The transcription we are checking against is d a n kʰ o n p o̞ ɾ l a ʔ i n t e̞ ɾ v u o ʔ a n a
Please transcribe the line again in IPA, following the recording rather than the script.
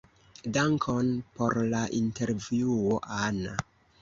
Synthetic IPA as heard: d a ŋ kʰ o n p o̞ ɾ l a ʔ i n t e̞ ɾ v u o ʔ a n a